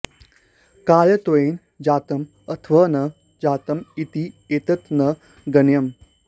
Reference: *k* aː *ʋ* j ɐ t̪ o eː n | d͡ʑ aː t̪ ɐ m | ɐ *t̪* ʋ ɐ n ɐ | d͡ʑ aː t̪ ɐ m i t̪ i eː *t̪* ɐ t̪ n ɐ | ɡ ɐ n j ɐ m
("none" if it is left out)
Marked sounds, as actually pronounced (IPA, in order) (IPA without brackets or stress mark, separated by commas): k, none, t̪ʰ, t̪